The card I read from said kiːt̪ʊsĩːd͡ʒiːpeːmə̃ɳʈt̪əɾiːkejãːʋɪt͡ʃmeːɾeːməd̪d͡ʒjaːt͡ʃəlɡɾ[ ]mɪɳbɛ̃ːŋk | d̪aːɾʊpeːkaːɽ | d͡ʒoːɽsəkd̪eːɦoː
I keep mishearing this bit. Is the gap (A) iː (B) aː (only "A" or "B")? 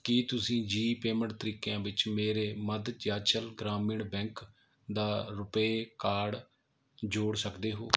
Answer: B